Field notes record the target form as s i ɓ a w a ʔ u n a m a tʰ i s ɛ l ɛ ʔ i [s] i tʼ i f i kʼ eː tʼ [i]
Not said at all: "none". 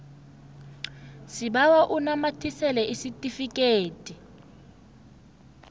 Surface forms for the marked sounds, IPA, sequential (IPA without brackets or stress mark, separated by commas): s, i